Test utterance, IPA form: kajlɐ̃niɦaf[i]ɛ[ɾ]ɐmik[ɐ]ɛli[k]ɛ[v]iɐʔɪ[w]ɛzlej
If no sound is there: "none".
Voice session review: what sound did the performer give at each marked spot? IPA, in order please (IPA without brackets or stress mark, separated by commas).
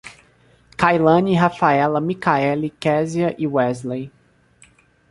a, l, a, k, z, w